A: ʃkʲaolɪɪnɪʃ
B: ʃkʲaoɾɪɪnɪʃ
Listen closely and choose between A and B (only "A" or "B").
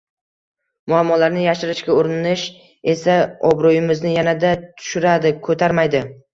B